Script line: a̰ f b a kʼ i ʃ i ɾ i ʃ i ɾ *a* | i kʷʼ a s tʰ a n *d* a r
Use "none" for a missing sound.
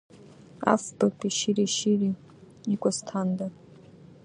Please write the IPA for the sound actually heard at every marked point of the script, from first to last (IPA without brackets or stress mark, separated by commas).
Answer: i, d